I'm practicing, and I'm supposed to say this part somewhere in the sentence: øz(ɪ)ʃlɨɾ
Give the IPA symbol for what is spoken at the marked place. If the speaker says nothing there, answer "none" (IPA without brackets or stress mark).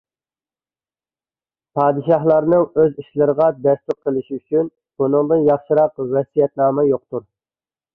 i